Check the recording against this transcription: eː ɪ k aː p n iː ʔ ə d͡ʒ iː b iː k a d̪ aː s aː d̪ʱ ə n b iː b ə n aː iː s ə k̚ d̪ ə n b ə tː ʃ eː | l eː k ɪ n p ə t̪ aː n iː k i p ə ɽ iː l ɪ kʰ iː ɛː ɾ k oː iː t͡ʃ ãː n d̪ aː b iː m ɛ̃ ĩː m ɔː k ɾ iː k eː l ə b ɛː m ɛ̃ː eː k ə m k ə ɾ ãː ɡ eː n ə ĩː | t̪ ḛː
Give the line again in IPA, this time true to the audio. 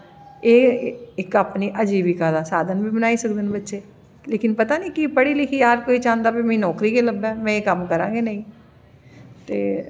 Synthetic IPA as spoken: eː ɪ k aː p n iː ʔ ə d͡ʒ iː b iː k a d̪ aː s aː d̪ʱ ə n b iː b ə n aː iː s ə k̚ d̪ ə n b ə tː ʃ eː | l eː k ɪ n p ə t̪ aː n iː k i p ə ɽ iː l ɪ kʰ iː aː ɾ k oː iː t͡ʃ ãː n d̪ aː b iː m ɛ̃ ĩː n ɔː k ɾ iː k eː l ə b ɛː m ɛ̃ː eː k ə m k ə ɾ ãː ɡ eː n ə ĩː | t̪ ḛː